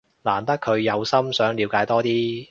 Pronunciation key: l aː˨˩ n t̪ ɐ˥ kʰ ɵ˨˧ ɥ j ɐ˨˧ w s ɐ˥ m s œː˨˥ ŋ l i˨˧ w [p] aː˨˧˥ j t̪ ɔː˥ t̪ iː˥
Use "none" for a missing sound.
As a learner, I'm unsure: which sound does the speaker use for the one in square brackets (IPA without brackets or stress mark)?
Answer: k